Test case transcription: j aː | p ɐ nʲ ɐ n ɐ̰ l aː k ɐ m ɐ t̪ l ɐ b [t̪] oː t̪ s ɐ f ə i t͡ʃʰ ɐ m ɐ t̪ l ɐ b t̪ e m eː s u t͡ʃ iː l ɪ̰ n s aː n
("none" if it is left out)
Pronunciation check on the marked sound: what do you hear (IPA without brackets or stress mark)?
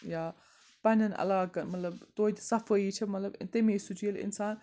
t̪